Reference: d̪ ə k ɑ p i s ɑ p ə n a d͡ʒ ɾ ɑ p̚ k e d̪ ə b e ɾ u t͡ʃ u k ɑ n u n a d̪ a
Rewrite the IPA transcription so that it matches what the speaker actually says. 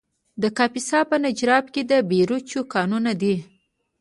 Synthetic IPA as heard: d̪ ə k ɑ p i s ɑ p ə n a d͡ʒ ɾ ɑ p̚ k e d̪ ə b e ɾ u t͡ʃ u k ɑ n u n a d̪ i